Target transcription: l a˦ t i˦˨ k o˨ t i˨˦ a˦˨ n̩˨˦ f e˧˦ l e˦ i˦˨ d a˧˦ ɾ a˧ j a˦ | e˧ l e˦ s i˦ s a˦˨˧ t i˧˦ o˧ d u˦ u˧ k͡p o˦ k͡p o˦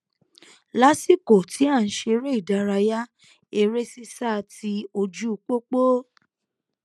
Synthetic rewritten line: l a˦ s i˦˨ k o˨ t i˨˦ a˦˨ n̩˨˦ ʃ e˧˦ ɾ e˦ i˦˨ d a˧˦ ɾ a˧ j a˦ | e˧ ɾ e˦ s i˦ s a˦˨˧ t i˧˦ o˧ d͡ʒ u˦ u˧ k͡p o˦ k͡p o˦